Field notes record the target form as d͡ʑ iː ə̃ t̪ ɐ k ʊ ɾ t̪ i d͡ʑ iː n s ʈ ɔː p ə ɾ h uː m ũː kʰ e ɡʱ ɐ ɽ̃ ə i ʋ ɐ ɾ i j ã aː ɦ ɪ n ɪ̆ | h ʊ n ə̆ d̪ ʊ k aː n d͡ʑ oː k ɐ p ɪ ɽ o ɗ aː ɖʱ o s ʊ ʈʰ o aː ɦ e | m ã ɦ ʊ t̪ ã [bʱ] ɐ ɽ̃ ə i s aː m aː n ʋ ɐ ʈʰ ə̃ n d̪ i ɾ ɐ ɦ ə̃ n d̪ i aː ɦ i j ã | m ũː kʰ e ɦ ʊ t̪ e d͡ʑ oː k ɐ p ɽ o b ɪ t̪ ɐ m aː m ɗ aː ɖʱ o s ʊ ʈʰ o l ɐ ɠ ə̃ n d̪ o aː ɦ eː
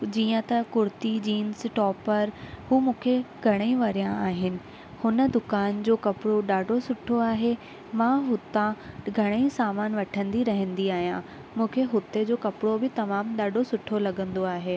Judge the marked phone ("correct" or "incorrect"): incorrect